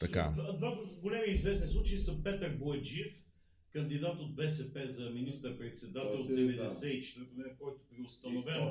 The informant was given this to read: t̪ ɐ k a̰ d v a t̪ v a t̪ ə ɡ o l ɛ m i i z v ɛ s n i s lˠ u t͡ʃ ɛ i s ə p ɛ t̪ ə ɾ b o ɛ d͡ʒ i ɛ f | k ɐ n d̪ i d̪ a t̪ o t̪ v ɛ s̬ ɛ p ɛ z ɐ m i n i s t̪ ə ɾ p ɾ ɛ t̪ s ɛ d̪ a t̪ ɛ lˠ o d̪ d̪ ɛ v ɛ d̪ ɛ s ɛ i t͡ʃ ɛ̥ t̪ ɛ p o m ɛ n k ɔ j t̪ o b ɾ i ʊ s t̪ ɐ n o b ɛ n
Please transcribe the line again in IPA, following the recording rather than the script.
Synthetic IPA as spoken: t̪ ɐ k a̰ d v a d̪ v a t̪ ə ɡ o l ɛ m i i z v ɛ s n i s lˠ u t͡ʃ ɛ i s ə p ɛ t̪ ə ɾ b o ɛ d͡ʒ i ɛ f | k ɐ n d̪ i d̪ a t̪ o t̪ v ɛ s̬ ɛ p ɛ z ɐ m i n i s t̪ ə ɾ p ɾ ɛ t̪ s ɛ d̪ a t̪ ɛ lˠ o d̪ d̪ ɛ v ɛ d̪ ɛ s ɛ i t͡ʃ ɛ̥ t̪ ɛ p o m ɛ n k ɔ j t̪ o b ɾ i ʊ s t̪ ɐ n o v ɛ n